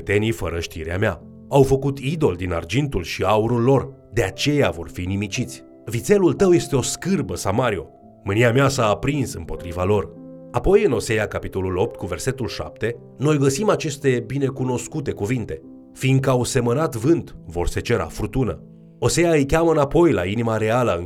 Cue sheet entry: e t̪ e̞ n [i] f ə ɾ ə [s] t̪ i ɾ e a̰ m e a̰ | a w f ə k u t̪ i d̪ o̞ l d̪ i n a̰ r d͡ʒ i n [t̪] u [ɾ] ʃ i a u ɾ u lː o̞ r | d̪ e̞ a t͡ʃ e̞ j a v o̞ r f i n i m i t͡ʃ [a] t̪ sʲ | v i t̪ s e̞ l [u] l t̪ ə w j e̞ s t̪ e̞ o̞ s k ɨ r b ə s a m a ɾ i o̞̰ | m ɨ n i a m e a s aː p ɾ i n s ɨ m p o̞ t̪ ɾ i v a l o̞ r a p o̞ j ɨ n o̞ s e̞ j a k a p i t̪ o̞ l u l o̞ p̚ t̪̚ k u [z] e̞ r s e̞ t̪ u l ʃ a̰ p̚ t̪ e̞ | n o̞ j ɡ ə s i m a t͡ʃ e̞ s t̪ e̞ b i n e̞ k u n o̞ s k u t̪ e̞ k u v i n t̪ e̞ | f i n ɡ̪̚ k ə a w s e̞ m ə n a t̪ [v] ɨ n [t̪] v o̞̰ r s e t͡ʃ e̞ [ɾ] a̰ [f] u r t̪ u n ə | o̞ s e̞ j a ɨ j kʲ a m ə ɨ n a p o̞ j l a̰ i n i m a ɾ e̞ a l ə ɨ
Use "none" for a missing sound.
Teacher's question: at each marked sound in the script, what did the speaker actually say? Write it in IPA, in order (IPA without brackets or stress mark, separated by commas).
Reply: i, ʃ, t̪, l, i, u, v, v, t̪, ɾ, f